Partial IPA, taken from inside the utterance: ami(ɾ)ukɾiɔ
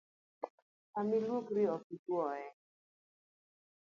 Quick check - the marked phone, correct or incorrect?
incorrect